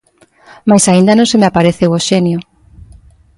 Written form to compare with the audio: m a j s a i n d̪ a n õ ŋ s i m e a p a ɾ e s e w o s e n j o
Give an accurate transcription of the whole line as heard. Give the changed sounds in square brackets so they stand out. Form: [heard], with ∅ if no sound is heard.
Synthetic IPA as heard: m a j s a i n d̪ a n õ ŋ s [e] m e a p a ɾ e [θ] e w o [ʃ] e n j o